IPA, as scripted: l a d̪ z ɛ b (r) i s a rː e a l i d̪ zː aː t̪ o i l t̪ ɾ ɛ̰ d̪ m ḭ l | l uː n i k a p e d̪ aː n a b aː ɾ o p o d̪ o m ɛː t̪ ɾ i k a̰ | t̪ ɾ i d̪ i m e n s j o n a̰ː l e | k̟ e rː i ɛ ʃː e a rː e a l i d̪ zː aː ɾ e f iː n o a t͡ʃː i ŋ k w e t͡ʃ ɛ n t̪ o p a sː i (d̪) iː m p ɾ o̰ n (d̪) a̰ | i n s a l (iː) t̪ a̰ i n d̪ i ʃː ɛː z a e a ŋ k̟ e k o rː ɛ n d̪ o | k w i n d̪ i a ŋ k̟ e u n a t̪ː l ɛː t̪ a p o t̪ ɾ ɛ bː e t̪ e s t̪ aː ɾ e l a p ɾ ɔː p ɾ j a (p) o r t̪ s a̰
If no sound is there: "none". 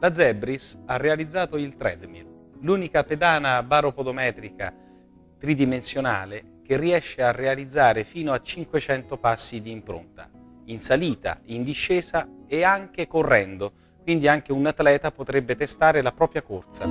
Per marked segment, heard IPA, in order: ɾ, d̪, t̪, iː, k

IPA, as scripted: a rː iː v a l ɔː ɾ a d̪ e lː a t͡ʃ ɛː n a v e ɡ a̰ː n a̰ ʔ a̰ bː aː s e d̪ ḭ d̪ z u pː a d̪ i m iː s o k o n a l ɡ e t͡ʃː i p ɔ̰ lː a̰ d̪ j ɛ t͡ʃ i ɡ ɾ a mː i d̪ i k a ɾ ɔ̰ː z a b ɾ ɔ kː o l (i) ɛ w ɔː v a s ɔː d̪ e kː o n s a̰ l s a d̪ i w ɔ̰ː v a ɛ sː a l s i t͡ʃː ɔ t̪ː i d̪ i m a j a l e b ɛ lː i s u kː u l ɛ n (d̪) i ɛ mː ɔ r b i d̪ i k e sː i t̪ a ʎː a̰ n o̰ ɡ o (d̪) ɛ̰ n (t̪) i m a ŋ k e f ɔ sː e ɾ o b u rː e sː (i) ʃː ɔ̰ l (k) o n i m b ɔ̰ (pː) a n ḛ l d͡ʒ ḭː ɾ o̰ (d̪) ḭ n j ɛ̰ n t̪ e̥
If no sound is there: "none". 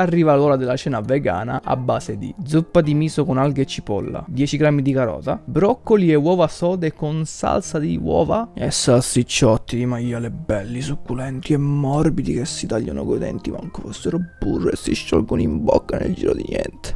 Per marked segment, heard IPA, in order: i, t̪, d̪, t̪, i, ɡ, kː, d̪

